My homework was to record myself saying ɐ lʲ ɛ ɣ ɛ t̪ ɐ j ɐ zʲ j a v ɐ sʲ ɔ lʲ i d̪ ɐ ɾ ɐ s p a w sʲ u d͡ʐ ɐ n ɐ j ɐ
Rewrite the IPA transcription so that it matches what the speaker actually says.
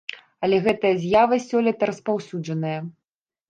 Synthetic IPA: ɐ lʲ ɛ ɣ ɛ t̪ ɐ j ɐ zʲ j a v ɐ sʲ ɔ lʲ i t̪ ɐ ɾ ɐ s p a w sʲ u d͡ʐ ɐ n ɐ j ɐ